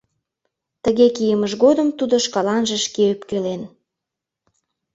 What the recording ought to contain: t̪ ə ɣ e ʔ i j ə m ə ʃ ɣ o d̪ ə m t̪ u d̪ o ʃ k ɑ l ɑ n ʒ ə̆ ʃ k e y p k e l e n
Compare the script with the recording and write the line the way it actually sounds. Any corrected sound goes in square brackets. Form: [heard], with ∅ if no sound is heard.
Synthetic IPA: t̪ ə ɣ e [k] i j ə m ə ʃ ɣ o d̪ ə m t̪ u d̪ o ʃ k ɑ l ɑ n ʒ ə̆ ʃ k e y p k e l e n